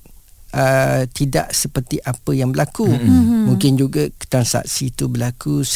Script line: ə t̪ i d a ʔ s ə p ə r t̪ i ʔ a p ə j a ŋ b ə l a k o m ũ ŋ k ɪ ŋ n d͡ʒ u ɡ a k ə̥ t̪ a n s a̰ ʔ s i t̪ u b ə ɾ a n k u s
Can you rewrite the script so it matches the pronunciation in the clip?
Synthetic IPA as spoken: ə t̪ i d a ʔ s ə p ə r t̪ i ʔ a p ə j a ŋ b ə l a k u m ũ ŋ k ɪ n d͡ʒ u ɡ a k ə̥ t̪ a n s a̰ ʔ s i t̪ u b ə l a k u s